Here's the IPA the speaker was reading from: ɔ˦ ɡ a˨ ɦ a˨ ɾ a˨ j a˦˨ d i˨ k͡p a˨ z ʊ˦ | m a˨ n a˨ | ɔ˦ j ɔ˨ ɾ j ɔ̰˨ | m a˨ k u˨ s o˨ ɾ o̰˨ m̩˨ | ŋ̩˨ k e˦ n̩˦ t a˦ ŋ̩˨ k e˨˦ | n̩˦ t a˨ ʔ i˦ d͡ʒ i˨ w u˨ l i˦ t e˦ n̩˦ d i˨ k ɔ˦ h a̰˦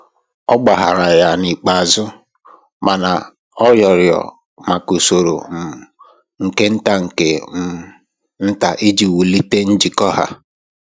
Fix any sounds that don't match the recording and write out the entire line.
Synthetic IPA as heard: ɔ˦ ɡ͡b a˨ ɦ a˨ ɾ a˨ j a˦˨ n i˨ k͡p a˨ z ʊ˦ | m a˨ n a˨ | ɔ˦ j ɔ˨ ɾ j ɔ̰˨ | m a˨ k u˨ s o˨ ɾ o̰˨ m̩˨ | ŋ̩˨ k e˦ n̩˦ t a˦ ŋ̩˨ k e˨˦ | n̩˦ t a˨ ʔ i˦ d͡ʒ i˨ w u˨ l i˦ t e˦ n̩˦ d͡ʒ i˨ k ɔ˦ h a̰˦

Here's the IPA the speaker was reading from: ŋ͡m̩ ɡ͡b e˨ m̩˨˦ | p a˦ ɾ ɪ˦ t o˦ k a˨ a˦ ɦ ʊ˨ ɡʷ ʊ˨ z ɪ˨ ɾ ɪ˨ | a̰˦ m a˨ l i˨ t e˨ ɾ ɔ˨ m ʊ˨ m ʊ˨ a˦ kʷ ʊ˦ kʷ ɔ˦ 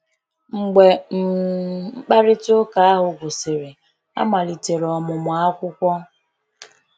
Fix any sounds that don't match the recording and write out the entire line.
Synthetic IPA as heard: ŋ͡m̩ ɡ͡b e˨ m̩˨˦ | k͡p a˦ ɾ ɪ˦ t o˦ k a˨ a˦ ɦ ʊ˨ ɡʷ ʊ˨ s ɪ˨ ɾ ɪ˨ | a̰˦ m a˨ l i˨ t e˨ ɾ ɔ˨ m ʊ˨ m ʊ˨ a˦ kʷ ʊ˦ kʷ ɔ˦

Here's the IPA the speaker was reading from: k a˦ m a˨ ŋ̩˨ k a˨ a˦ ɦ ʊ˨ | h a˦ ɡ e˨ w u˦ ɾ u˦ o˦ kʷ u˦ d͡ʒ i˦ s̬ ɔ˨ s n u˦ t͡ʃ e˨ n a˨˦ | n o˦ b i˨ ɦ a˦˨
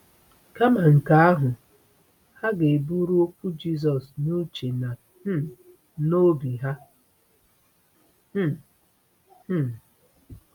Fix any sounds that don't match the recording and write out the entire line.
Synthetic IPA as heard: k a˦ m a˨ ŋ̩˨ k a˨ a˦ ɦ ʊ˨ | h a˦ ɡ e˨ b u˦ ɾ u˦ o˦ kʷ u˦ d͡ʒ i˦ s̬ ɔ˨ s n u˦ t͡ʃ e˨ n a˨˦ | n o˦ b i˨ ɦ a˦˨

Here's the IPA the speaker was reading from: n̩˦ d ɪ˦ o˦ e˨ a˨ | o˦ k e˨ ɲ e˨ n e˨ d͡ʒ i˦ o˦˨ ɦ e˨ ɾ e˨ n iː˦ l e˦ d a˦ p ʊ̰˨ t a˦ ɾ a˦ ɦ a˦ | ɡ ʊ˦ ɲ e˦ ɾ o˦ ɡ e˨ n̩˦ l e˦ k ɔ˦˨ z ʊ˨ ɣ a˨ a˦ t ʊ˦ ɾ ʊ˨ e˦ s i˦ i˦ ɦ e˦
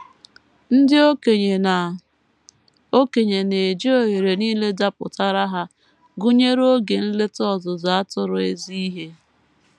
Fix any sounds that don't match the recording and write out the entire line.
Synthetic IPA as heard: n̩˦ d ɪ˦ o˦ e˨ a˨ | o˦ k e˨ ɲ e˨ n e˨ d͡ʒ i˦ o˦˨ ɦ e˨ ɾ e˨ n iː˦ l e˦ d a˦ p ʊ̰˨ t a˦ ɾ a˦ ɦ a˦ | ɡ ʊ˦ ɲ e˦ ɾ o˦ ɡ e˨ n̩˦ l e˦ t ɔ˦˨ z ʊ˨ z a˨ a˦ t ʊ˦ ɾ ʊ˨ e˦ z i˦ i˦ ɦ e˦

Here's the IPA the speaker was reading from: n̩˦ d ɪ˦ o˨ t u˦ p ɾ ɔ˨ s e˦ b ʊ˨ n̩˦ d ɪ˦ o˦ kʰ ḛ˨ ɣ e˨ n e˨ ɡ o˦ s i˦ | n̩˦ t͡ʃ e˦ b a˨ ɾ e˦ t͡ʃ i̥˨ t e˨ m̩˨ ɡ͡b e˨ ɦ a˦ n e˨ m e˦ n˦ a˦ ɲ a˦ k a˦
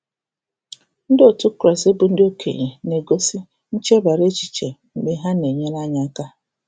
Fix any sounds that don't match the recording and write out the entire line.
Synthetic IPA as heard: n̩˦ d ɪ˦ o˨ t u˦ k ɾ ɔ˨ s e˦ b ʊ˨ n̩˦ d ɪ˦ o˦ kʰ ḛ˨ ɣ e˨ n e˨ ɡ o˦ s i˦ | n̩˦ t͡ʃ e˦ b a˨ ɾ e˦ t͡ʃ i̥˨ t͡ʃ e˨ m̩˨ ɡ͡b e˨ ɦ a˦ n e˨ ɲ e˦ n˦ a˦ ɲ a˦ k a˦

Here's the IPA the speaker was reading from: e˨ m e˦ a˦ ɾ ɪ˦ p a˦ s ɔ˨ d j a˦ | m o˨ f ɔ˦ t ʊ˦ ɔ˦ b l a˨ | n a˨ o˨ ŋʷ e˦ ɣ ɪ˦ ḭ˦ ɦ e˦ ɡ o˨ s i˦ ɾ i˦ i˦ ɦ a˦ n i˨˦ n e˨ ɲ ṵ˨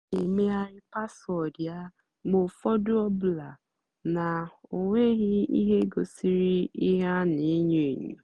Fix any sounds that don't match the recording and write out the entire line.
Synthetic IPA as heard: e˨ m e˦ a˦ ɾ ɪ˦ p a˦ s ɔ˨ d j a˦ | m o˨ f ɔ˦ d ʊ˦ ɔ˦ b l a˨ | n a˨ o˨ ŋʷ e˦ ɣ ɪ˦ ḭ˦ ɦ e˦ ɡ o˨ s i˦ ɾ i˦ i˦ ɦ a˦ n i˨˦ ɲ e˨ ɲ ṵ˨

